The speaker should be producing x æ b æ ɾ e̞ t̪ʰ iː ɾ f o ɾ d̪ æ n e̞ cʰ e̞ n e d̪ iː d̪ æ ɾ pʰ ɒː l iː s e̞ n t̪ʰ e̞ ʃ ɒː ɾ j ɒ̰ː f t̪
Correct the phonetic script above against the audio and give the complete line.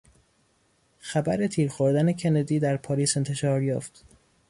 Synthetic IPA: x æ b æ ɾ e̞ t̪ʰ iː ɾ x o ɾ d̪ æ n e̞ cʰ e̞ n e d̪ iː d̪ æ ɾ pʰ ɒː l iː s e̞ n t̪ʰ e̞ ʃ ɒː ɾ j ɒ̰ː f t̪